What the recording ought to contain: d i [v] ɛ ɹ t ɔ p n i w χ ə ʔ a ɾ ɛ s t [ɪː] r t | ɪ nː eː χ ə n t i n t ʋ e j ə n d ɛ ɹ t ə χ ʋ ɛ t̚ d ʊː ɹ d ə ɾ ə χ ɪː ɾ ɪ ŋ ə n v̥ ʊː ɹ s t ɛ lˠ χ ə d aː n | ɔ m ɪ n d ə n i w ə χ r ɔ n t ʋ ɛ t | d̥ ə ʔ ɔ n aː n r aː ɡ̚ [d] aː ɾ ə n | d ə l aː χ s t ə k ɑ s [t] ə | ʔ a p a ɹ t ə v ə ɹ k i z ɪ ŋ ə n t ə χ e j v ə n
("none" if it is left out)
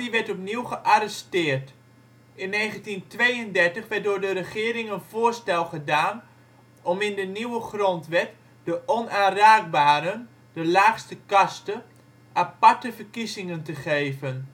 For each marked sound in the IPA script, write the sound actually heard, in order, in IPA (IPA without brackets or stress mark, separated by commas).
ʋ, ɪː, b, t